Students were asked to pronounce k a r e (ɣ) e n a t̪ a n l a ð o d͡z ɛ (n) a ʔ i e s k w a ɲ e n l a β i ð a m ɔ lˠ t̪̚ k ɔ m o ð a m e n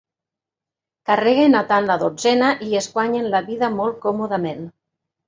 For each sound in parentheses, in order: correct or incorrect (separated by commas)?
correct, correct